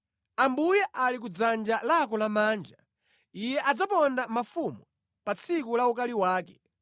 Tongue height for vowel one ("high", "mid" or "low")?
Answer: low